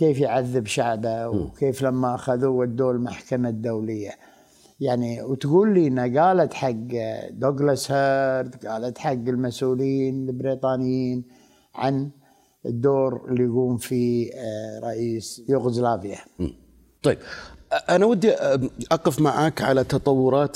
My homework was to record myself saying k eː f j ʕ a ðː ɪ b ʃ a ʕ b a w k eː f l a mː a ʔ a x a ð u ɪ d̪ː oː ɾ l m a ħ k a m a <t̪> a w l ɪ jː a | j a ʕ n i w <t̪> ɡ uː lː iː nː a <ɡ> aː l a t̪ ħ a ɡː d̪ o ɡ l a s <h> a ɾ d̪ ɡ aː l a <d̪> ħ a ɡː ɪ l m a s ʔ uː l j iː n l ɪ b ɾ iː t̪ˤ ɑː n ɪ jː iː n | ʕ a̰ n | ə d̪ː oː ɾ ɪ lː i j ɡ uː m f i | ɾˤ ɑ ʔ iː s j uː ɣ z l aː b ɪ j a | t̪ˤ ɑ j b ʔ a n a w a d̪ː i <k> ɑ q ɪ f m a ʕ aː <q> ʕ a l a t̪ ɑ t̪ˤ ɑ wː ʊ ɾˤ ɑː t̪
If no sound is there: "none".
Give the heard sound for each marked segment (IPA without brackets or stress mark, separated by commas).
d̪, t̪, ɡ, h, t̪, ʔ, k